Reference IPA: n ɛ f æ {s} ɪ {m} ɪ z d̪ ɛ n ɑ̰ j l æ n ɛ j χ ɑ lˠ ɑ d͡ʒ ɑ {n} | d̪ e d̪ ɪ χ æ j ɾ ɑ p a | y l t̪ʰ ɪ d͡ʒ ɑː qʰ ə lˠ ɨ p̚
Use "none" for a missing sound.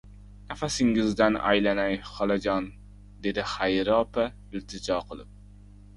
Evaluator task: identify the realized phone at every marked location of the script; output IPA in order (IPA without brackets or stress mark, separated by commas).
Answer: s, ŋ, n